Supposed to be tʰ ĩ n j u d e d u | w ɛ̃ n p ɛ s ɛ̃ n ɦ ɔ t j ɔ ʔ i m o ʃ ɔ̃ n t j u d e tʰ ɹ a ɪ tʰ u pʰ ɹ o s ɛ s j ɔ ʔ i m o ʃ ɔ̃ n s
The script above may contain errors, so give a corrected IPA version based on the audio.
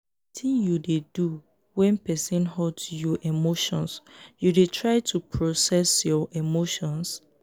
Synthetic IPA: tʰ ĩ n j u d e d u | w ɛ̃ n p ɛ s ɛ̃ n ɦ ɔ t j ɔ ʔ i m o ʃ ɔ̃ n s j u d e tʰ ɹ a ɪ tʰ u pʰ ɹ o s ɛ s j ɔ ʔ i m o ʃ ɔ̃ n s